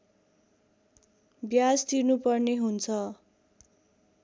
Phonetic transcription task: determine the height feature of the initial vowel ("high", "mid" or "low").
low